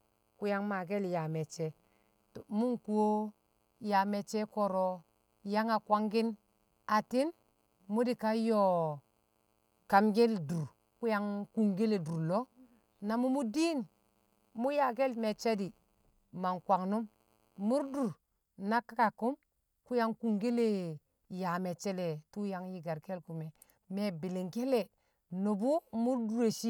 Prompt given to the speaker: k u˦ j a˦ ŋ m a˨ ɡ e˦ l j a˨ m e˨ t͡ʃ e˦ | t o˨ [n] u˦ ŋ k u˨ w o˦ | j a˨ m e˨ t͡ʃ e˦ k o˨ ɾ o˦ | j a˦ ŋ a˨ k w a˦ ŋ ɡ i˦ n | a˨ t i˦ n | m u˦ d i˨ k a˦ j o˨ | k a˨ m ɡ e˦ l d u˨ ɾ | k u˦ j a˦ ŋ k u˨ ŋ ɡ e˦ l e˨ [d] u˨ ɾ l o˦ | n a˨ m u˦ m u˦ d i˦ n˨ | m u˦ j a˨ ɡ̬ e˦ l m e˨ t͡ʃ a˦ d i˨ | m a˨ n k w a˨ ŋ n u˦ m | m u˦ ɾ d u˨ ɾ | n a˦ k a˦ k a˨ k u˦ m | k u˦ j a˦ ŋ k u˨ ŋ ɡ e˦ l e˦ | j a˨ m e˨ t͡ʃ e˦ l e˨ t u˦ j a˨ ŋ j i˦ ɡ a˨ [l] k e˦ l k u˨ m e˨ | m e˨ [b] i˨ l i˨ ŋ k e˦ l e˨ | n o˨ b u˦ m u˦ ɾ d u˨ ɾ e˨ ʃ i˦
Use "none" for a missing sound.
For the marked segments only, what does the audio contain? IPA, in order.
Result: m, d, ɾ, b

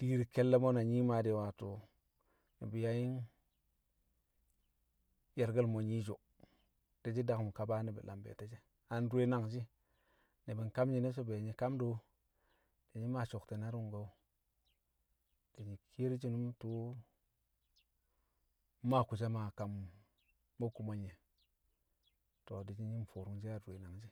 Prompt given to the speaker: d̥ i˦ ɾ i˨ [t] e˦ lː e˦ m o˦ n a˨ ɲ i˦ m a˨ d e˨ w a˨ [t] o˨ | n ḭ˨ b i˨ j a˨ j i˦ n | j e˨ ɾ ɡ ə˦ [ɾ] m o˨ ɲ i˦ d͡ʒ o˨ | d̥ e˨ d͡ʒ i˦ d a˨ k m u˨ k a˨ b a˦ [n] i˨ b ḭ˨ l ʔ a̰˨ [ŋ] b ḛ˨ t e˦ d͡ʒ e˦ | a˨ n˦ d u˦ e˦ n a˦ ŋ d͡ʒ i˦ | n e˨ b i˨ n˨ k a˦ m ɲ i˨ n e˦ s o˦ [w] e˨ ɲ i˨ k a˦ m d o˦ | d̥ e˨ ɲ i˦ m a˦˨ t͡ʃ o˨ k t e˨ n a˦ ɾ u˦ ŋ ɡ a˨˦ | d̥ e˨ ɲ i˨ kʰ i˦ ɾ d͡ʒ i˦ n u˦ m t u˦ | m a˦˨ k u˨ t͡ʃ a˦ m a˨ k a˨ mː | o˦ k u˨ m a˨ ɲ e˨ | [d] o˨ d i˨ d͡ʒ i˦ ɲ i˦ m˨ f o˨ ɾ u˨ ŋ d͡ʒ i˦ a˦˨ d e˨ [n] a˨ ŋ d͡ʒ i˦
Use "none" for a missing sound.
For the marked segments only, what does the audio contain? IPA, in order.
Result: k, t, l, n, m, b, t, n

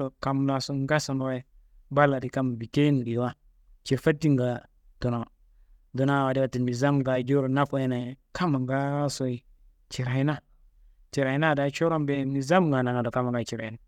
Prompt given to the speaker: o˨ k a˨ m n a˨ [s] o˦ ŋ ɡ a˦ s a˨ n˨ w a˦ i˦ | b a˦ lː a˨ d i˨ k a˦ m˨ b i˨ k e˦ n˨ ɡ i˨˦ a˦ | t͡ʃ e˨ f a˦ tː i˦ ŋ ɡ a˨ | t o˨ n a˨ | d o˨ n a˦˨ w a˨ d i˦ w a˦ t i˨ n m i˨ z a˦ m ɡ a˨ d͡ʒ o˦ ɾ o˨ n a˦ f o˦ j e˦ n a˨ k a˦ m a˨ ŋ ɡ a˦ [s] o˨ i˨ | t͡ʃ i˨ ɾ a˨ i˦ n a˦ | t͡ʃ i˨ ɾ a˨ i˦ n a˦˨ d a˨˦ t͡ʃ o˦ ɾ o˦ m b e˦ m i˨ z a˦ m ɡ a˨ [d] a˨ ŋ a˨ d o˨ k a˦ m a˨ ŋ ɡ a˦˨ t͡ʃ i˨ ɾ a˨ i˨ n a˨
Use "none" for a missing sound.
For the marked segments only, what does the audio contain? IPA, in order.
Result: s, s, n

